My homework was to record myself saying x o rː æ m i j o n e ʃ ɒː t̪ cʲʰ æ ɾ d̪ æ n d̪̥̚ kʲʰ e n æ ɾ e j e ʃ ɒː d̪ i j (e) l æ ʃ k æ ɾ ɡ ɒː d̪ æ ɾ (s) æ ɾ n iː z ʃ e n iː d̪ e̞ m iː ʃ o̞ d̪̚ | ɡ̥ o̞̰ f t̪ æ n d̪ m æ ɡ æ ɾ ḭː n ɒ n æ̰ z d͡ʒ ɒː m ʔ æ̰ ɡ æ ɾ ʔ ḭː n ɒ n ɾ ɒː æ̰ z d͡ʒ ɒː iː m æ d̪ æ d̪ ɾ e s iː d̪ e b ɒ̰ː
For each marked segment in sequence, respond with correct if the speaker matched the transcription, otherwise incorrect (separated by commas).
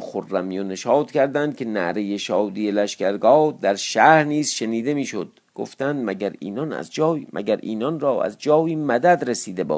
correct, incorrect